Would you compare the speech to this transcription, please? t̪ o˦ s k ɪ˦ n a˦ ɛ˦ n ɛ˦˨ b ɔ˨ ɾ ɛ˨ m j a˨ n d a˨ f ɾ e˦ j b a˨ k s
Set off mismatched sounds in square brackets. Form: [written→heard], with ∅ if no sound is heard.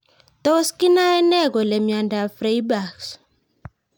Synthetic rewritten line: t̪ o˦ s k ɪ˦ n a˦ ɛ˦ n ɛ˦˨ [b→ɡ] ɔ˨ [ɾ→l] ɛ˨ m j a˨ n d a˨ f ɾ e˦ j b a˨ k s